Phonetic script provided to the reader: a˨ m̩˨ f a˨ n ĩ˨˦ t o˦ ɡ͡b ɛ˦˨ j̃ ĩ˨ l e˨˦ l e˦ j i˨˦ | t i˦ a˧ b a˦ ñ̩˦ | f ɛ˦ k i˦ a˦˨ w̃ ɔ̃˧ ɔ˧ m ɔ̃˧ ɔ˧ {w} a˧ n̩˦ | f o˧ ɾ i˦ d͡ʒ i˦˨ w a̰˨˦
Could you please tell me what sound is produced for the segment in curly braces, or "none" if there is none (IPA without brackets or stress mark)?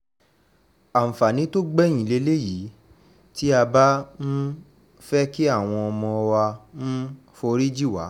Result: w